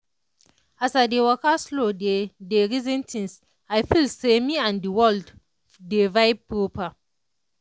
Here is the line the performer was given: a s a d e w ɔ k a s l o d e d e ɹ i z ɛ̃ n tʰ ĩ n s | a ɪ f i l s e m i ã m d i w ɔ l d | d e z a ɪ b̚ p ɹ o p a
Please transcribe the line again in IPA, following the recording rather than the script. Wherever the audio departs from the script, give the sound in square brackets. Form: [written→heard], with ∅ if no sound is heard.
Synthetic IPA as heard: a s a d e w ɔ k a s l o d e d e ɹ i z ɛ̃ n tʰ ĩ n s | a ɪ f i l s e m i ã [m→n] d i w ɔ l d | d e [z→v] a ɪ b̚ p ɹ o p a